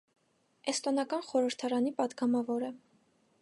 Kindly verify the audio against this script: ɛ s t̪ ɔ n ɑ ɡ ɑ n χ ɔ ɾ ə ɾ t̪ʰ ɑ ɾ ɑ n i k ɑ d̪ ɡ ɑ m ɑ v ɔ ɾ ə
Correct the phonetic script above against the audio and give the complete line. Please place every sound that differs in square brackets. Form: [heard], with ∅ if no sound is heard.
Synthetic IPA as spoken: ɛ s t̪ ɔ n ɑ [k] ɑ n χ ɔ ɾ ə ɾ t̪ʰ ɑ ɾ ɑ n i [p] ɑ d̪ ɡ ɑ m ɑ v ɔ ɾ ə